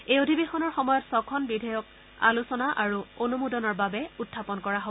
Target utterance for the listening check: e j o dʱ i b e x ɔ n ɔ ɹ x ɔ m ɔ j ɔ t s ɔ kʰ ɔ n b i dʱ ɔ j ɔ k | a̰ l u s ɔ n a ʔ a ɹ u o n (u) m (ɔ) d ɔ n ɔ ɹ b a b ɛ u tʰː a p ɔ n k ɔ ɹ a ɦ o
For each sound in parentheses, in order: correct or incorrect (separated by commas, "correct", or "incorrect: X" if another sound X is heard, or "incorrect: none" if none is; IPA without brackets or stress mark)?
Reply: correct, incorrect: u